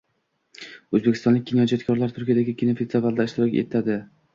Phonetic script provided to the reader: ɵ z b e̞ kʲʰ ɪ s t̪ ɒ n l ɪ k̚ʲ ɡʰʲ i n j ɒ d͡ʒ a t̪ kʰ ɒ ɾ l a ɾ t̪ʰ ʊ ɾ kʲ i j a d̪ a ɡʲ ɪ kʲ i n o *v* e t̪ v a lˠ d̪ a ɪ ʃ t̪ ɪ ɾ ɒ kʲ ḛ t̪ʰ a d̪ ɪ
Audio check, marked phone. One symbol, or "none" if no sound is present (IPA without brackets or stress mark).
f